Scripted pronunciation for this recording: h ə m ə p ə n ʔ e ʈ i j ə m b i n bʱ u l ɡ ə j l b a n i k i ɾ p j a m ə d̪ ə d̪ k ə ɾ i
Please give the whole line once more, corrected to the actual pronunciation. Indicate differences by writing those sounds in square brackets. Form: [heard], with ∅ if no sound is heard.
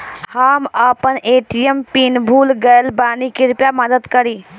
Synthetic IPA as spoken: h ə m ə p ə n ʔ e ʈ i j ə m [p] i n bʱ u l ɡ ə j l b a n i k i ɾ p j a m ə d̪ ə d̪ k ə ɾ i